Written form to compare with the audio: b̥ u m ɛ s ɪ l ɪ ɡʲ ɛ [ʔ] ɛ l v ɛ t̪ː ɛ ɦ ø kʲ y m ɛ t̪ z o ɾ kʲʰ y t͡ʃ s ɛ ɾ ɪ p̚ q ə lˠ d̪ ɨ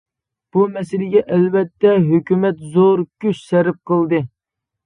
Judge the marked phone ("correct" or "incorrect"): correct